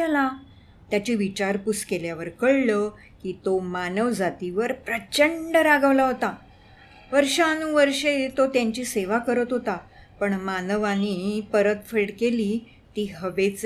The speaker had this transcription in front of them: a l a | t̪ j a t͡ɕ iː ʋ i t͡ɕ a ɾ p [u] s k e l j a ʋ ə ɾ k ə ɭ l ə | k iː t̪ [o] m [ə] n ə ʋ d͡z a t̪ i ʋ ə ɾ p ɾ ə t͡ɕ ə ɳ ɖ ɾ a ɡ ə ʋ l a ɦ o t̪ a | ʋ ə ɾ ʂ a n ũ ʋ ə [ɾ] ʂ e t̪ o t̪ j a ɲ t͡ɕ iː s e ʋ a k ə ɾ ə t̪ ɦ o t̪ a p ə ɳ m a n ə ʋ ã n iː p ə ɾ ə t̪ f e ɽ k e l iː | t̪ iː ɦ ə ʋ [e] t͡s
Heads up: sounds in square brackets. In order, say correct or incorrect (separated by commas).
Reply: correct, correct, incorrect, correct, correct